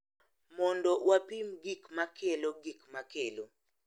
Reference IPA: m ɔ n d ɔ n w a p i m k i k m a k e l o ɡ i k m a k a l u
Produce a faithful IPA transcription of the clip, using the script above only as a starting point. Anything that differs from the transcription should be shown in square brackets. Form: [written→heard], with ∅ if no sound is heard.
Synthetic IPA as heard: m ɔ n d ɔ [n→∅] w a p i m [k→ɡ] i k m a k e l o ɡ i k m a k [a→e] l [u→o]